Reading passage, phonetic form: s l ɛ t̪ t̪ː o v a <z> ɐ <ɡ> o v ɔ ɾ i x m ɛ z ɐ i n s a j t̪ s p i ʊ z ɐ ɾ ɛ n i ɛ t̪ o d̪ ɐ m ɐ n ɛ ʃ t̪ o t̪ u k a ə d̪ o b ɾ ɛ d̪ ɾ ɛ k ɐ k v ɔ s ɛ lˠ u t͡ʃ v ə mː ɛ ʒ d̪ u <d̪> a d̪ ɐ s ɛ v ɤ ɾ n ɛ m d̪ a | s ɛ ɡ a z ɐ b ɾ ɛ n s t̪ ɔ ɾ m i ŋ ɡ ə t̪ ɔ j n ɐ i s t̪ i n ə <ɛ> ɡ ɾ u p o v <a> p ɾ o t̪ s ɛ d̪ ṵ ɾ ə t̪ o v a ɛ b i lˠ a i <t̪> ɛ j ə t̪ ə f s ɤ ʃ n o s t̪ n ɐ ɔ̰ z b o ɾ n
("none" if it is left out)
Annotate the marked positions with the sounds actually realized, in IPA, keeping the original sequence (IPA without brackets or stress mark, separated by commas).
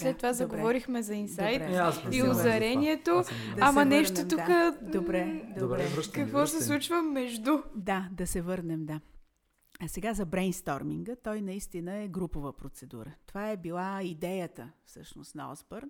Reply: z, ɡ, d̪, ɛ, ə, d̪